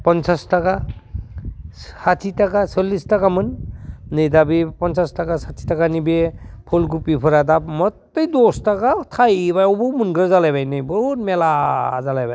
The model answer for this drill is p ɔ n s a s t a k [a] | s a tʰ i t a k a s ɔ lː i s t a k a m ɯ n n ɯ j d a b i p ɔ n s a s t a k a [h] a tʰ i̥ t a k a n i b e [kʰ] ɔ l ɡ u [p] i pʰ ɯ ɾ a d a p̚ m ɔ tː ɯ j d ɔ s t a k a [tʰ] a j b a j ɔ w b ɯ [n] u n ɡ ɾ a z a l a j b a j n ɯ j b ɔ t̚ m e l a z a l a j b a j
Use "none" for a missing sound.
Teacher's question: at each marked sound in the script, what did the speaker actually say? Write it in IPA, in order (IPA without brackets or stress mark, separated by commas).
a, s, pʰ, p, tʰ, m